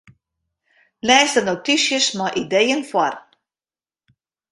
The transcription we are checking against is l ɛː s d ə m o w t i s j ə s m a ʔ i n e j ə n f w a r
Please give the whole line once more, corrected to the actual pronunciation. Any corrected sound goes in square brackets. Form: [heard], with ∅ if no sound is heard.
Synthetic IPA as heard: l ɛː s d ə [n] o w t i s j ə s m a ʔ i [d] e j ə n f w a r